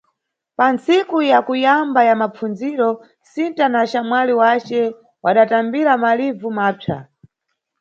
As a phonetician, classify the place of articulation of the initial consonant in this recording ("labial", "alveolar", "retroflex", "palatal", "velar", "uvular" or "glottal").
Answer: labial